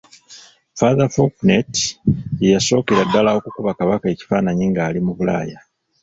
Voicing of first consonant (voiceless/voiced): voiceless